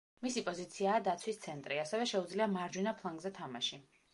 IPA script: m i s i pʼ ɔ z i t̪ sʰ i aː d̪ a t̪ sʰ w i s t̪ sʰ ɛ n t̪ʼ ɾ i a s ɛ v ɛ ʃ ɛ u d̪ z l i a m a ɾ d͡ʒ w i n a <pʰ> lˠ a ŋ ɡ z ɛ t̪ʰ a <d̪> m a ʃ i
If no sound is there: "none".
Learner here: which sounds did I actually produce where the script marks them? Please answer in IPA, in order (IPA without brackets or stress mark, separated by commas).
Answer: pʰ, none